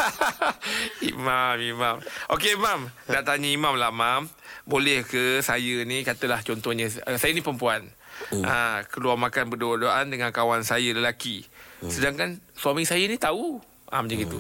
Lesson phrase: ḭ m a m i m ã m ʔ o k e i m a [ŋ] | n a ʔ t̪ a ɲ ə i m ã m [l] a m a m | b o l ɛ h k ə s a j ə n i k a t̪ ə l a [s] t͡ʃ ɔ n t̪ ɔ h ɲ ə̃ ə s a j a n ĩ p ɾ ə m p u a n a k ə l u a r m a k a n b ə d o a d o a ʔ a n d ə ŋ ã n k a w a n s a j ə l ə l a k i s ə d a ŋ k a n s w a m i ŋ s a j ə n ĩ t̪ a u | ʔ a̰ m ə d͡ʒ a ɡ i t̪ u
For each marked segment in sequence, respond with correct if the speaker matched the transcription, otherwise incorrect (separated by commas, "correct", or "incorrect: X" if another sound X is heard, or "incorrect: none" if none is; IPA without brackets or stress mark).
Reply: incorrect: m, correct, incorrect: h